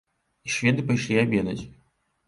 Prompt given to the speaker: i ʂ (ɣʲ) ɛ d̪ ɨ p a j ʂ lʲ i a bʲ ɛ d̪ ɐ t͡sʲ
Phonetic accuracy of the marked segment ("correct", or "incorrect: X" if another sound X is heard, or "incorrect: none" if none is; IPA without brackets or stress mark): incorrect: vʲ